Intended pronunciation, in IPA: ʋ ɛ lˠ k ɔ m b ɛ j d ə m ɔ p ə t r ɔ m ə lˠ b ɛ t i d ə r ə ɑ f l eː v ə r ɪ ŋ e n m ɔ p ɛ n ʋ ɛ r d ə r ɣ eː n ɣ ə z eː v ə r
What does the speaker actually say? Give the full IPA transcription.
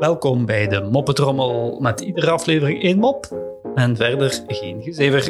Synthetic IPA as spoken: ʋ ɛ lˠ k ɔ m b ɛ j d ə m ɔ p ə t r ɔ m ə lˠ m ɛ t i d ə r ə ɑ f l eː v ə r ɪ ŋ e n m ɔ p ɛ n v ɛ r d ə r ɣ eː n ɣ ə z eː v ə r